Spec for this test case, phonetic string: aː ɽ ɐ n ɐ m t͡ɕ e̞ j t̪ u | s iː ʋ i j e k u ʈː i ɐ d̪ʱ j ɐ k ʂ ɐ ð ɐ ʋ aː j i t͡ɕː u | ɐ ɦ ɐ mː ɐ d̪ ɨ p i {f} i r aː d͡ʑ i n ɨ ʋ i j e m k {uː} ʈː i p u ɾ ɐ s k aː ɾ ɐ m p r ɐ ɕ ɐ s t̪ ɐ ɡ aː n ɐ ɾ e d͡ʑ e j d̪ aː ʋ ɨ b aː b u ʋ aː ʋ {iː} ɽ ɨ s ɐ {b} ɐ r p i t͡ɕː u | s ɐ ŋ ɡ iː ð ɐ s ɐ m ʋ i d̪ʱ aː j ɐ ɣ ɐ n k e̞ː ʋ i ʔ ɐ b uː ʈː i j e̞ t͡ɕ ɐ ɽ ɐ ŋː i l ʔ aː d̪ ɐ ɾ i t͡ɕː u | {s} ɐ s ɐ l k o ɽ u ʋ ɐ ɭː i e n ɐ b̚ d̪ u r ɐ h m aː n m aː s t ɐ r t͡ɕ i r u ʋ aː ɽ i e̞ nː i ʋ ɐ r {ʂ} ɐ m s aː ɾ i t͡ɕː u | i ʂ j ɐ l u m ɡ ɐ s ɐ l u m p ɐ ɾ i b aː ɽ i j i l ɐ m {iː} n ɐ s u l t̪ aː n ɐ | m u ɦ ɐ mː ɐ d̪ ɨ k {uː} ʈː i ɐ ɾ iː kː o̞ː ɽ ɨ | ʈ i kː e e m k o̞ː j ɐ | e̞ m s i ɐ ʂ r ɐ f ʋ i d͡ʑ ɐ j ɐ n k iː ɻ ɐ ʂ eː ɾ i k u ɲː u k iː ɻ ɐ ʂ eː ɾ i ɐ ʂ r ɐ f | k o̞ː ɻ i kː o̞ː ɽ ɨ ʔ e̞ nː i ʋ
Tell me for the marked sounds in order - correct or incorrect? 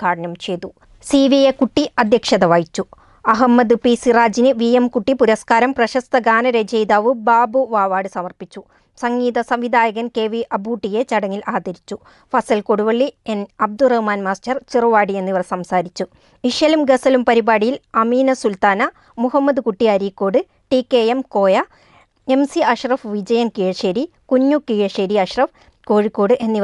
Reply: incorrect: s, incorrect: u, incorrect: aː, incorrect: m, incorrect: f, incorrect: s, correct, incorrect: u

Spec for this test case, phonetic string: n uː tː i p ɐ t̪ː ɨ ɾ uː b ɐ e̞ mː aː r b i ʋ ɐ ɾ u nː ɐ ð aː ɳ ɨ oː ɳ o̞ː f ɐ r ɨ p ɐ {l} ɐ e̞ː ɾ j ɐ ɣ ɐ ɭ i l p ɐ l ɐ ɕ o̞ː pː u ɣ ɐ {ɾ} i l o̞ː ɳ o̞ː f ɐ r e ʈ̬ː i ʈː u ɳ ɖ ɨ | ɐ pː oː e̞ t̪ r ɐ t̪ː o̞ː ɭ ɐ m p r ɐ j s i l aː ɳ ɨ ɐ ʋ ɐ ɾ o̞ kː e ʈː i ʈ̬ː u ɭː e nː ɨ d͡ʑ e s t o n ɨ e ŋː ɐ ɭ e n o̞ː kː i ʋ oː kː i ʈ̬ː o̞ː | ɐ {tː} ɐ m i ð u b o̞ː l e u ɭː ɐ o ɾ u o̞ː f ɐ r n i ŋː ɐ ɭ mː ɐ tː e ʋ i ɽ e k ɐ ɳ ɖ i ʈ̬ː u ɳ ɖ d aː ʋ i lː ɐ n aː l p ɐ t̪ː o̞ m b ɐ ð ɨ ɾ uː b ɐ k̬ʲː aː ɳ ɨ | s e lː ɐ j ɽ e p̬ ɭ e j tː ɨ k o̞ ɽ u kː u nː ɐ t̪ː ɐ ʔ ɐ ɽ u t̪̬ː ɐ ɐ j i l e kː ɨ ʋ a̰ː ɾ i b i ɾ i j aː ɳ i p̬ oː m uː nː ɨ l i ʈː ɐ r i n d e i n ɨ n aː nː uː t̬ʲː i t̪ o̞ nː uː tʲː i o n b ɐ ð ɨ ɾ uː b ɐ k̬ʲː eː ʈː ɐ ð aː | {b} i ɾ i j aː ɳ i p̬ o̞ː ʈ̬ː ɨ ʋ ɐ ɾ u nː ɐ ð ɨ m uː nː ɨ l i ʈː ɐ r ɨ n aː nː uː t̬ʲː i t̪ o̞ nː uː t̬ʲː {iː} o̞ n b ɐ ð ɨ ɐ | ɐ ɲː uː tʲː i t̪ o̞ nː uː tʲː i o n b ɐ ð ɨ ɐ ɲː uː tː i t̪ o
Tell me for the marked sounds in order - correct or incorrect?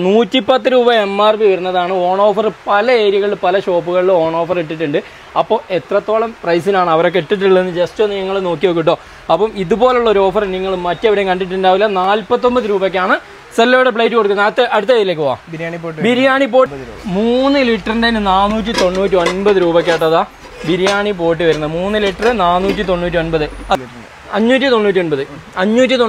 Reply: correct, incorrect: ɭ, incorrect: pː, correct, incorrect: i

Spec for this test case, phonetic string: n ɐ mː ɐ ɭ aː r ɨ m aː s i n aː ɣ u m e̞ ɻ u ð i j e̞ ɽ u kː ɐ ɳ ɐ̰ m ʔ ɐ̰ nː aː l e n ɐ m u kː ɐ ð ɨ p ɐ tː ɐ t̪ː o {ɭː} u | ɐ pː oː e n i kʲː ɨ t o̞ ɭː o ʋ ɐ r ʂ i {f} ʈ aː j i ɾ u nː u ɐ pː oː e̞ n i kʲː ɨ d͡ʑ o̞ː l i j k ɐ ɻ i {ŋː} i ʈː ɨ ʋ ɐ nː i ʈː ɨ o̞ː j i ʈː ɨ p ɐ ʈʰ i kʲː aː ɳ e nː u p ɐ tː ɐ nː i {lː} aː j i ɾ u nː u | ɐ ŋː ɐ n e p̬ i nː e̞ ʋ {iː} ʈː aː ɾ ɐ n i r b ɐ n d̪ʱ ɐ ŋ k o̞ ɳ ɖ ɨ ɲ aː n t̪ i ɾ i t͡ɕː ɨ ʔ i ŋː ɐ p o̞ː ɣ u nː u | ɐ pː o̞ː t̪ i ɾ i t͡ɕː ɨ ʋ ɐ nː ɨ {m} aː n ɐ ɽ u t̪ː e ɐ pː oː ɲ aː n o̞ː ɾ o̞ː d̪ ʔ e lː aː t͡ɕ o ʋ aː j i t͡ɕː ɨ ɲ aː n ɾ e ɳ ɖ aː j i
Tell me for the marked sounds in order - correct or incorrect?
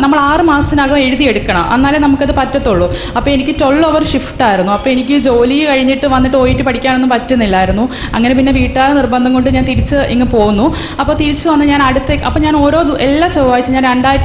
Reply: correct, correct, incorrect: ɲː, correct, correct, incorrect: ɲ

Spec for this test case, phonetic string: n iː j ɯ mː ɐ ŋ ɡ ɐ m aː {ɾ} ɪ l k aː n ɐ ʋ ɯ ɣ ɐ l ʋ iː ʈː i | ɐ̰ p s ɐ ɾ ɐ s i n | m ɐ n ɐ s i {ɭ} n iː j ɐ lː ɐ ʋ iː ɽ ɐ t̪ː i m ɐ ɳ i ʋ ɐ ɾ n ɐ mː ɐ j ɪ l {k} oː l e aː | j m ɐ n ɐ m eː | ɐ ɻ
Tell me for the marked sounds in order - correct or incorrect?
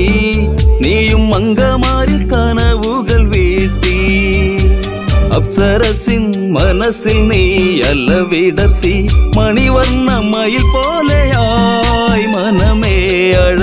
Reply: correct, incorrect: l, incorrect: p

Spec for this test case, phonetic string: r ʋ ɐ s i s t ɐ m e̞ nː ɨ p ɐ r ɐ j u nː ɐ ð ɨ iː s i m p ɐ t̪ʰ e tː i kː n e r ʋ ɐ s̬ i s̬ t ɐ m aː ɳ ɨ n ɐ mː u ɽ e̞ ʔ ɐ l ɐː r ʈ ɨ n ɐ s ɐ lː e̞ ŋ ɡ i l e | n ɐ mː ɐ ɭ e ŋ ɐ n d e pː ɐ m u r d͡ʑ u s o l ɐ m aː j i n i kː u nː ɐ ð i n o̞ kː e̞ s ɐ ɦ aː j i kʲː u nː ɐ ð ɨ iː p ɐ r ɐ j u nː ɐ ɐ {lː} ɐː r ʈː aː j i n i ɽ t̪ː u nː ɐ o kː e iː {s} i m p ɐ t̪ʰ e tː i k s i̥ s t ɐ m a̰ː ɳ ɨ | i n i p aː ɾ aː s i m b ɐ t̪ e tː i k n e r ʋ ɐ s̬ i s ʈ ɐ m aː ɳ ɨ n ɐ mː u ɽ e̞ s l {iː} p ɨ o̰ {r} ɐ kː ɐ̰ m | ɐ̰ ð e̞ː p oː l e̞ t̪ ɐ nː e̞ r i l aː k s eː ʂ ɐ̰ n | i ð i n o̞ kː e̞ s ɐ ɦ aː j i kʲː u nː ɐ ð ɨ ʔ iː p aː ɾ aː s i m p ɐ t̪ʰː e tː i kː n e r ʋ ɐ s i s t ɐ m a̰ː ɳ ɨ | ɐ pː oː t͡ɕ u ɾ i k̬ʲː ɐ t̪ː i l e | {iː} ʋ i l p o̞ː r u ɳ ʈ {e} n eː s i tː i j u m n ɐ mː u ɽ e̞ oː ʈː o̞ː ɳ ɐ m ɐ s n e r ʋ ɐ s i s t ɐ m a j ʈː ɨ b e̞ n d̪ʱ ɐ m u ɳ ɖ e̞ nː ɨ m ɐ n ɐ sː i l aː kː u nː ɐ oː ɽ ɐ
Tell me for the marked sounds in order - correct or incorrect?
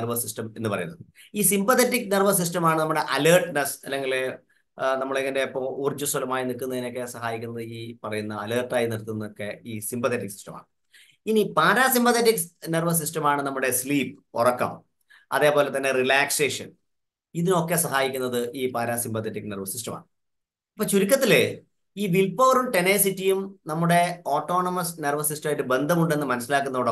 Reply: incorrect: l, correct, correct, correct, correct, correct

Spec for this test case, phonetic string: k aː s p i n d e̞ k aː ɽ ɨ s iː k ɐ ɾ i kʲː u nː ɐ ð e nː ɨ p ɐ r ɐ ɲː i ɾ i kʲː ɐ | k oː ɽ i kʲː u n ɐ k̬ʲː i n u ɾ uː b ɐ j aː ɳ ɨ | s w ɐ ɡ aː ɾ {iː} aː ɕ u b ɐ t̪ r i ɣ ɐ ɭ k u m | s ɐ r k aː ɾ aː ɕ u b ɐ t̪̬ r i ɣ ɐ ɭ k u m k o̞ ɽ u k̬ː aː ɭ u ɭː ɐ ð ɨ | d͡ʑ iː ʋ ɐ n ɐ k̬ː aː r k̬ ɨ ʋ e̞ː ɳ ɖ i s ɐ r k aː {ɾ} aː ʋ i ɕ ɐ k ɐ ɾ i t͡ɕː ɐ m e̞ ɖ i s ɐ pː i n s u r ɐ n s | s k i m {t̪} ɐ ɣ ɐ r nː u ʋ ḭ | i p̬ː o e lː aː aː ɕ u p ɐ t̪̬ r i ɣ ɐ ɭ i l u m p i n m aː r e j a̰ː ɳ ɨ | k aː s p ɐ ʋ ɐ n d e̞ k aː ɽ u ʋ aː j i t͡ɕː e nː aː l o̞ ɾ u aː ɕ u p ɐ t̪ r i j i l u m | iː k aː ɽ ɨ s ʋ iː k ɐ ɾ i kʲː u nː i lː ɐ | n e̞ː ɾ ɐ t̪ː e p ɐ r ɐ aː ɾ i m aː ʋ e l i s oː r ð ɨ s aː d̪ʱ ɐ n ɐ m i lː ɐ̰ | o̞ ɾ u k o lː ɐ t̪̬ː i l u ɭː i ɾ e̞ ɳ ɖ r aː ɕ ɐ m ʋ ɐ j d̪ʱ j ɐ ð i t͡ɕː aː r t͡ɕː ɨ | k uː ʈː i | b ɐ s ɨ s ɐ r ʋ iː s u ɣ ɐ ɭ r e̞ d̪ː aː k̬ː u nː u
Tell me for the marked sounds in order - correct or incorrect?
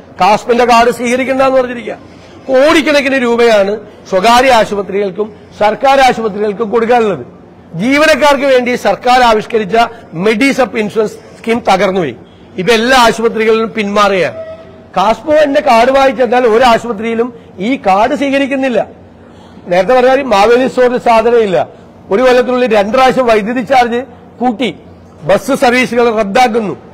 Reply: incorrect: i, correct, correct

